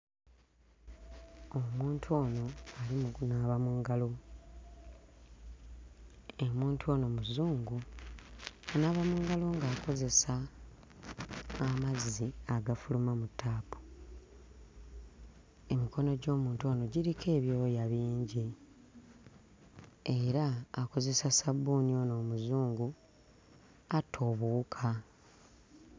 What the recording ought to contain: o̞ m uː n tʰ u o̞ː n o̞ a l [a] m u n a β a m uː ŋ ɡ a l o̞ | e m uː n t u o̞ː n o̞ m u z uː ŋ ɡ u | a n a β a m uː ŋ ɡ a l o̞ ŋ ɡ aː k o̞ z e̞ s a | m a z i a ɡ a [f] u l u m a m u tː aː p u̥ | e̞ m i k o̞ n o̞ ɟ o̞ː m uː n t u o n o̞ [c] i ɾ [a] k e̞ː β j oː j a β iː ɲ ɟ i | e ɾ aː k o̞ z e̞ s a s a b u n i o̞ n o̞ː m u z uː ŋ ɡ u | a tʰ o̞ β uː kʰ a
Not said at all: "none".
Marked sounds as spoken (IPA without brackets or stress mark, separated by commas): i, f, ɟ, i